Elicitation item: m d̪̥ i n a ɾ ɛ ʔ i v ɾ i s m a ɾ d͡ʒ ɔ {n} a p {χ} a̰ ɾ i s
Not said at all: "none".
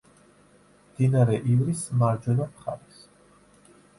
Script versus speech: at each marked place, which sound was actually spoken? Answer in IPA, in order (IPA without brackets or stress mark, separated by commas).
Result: n, χ